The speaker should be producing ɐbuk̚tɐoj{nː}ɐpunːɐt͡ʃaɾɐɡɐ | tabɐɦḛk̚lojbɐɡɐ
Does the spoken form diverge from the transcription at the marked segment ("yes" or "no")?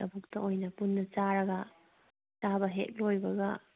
yes